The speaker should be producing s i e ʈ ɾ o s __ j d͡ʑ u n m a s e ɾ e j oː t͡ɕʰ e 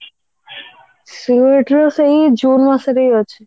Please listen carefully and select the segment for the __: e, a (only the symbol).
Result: e